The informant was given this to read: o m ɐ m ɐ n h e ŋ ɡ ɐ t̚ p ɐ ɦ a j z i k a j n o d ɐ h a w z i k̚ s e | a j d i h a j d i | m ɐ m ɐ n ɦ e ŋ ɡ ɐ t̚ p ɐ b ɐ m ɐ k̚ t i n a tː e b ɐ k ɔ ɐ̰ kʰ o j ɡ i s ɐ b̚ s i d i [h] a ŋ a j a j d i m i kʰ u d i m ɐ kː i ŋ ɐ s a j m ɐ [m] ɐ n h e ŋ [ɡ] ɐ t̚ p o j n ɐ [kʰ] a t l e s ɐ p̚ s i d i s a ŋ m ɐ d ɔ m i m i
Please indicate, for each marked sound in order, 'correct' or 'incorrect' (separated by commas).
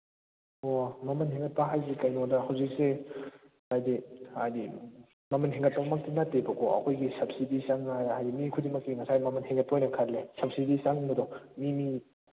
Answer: incorrect, correct, correct, correct